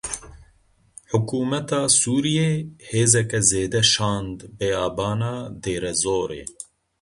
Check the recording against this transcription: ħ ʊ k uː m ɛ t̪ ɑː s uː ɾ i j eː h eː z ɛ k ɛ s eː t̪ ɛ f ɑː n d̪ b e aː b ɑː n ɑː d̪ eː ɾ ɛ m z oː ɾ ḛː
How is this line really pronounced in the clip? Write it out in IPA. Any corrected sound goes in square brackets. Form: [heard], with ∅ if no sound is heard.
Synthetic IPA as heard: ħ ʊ k uː m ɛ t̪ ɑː s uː ɾ i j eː h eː z ɛ k ɛ [z] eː [d̪] ɛ [ʃ] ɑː n d̪ b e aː b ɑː n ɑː d̪ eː ɾ ɛ [∅] z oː ɾ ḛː